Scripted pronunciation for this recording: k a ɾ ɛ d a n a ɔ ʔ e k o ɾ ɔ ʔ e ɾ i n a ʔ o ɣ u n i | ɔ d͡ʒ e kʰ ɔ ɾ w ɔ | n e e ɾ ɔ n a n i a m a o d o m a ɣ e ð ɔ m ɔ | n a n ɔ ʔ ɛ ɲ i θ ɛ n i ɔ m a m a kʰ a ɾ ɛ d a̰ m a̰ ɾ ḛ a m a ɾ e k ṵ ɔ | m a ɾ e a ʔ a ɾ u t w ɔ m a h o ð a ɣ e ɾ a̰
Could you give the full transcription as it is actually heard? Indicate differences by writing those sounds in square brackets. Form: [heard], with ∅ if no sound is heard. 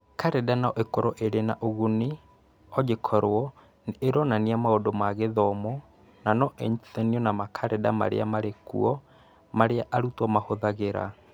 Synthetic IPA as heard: k a ɾ ɛ d a n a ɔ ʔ e k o ɾ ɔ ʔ e ɾ [e] n a ʔ o ɣ u n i | ɔ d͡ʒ e kʰ ɔ ɾ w ɔ | n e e ɾ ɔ n a n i a m a o d o m a ɣ e ð ɔ m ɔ | n a n ɔ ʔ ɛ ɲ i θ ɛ n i ɔ [n] a m a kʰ a ɾ ɛ d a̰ m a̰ ɾ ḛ a m a ɾ e k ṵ ɔ | m a ɾ e a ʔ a ɾ u t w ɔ m a h o ð a ɣ e ɾ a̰